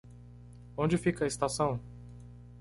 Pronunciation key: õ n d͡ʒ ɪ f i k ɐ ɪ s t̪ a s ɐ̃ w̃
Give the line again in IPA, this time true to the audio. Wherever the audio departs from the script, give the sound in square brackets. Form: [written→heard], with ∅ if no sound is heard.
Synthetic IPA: õ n d͡ʒ ɪ f i k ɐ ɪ s t̪ a s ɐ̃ w̃